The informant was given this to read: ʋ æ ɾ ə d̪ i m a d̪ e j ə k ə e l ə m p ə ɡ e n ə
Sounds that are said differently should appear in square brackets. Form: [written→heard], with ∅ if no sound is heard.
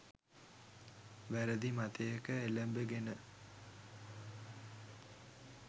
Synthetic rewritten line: ʋ æ ɾ ə d̪ i m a [d̪→t̪] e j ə k ə e l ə m [p→b] ə ɡ e n ə